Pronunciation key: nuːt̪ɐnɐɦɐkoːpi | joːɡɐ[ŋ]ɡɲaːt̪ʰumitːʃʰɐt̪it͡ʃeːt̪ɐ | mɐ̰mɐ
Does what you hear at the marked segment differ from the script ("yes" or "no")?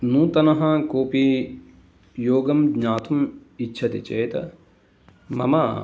yes